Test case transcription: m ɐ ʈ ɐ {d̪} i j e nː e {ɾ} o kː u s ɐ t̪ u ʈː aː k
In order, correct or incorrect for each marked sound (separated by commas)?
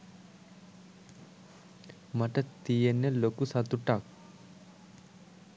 incorrect, incorrect